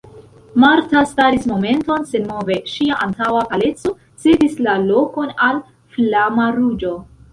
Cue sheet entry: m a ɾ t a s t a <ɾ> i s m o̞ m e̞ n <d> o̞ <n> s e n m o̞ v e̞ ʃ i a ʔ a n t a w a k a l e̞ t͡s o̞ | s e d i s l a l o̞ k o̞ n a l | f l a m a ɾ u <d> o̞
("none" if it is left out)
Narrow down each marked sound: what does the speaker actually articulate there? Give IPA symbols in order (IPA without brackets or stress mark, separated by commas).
ɾ, t, n, d͡ʒ